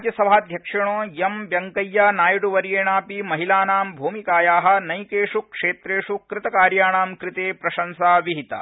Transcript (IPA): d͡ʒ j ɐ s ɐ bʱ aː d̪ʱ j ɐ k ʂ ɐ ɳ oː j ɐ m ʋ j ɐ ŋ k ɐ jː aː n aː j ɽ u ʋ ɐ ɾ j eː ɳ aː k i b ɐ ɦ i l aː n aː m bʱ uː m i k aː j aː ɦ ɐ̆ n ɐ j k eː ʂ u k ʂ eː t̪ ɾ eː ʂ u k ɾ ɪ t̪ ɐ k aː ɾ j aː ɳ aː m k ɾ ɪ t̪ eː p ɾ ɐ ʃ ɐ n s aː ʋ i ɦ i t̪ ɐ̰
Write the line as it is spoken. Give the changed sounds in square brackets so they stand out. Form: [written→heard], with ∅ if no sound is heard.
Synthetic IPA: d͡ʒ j ɐ s ɐ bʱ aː d̪ʱ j ɐ k ʂ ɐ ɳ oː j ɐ m ʋ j ɐ ŋ k ɐ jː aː n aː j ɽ u ʋ ɐ ɾ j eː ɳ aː [k→p] i [b→m] ɐ ɦ i l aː n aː m bʱ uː m i k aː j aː ɦ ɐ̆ n ɐ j k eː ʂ u k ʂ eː t̪ ɾ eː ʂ u k ɾ ɪ t̪ ɐ k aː ɾ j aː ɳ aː m k ɾ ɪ t̪ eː p ɾ ɐ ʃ ɐ n s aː ʋ i ɦ i t̪ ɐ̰